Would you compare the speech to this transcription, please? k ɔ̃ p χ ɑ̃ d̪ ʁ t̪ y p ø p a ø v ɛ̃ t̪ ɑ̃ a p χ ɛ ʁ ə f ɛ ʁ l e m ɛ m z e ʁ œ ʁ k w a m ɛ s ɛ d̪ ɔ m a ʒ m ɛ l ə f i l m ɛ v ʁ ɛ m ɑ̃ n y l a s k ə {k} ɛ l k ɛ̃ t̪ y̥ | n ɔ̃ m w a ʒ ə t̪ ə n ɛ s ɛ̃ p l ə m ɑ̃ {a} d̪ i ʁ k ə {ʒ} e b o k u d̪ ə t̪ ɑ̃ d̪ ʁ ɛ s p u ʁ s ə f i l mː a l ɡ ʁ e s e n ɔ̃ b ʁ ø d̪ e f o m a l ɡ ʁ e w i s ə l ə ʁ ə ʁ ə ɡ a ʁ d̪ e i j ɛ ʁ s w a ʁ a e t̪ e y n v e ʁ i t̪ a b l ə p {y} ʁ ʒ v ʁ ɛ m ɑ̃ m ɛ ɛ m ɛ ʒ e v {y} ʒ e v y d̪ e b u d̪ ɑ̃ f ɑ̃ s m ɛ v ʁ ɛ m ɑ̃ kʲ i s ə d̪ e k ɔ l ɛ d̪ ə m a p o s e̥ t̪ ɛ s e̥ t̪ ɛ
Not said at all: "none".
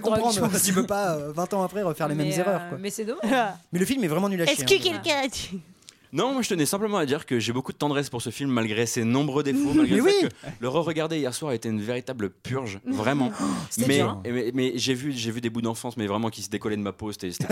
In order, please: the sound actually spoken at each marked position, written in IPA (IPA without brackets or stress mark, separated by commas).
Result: k, a, ʒ, y, y